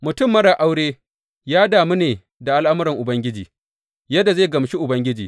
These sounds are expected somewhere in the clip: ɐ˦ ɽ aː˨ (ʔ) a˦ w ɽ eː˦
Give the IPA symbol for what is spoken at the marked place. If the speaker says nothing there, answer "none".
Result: ʔ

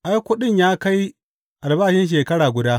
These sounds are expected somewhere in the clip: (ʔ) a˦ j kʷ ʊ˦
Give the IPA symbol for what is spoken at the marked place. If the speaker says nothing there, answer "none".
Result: ʔ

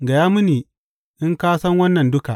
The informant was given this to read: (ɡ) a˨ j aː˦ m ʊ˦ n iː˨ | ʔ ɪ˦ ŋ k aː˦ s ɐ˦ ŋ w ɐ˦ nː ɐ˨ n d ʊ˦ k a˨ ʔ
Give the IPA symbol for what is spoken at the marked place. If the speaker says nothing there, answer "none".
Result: ɡ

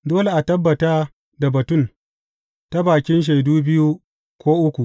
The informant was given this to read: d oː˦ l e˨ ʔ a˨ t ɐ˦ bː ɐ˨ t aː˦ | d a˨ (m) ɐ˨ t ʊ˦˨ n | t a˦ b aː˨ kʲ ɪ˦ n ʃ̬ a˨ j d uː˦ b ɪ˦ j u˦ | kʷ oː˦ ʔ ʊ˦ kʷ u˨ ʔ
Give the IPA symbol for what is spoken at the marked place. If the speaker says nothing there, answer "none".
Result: b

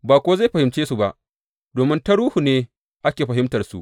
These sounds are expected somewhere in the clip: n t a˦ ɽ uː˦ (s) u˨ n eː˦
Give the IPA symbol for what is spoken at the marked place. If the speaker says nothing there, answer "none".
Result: h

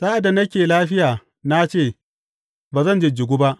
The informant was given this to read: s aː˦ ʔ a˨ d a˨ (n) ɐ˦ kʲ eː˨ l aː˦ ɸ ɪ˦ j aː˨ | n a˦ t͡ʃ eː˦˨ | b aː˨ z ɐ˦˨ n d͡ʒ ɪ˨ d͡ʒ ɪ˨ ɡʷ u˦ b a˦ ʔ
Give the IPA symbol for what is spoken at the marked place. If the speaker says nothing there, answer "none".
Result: n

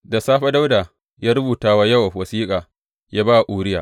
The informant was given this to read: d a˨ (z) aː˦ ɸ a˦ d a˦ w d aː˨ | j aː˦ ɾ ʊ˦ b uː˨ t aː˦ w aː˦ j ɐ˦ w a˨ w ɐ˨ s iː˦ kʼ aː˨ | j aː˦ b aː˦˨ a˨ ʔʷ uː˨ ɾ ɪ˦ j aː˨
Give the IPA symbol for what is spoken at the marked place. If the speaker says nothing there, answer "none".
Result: s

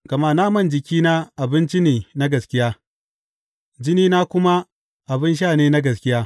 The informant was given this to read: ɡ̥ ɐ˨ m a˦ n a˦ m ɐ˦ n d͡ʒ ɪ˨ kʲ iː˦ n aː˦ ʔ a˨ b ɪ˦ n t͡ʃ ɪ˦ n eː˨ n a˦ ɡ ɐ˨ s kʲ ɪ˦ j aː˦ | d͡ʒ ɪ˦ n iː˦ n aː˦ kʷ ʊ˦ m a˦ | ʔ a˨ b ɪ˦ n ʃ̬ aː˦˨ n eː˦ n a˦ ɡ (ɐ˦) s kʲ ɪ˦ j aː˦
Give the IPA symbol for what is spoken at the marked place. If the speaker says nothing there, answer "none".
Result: ɐ˨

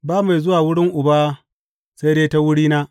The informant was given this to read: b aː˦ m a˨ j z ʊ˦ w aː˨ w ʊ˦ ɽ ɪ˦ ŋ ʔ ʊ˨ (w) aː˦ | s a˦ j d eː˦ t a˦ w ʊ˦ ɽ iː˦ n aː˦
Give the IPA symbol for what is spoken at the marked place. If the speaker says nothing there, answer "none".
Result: b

